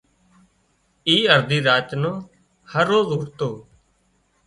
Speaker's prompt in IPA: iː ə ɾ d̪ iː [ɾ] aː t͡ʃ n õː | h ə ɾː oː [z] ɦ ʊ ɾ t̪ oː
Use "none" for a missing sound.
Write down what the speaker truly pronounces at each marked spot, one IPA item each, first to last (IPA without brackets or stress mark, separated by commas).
ɾ, z